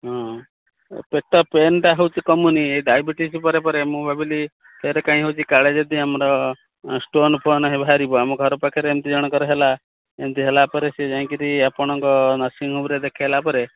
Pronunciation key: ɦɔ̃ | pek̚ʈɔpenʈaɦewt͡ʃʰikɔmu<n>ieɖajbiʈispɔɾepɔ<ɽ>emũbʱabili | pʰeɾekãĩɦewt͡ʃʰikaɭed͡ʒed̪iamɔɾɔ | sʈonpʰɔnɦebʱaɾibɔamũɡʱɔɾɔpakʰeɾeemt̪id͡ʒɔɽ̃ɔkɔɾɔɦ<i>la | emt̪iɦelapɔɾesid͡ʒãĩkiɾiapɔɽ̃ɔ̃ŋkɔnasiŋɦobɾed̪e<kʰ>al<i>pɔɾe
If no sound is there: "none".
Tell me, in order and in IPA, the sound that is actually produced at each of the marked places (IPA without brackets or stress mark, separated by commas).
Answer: n, ɾ, e, kʰ, a